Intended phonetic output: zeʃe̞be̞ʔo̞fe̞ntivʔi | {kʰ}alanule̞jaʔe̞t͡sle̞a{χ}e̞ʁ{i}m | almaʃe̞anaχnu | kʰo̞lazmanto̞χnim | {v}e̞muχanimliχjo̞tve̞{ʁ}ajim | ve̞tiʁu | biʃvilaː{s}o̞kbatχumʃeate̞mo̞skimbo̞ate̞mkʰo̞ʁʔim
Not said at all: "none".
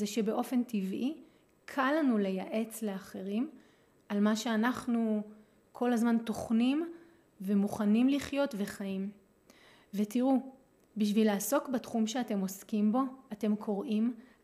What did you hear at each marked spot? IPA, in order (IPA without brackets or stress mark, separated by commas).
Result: kʰ, χ, i, v, χ, s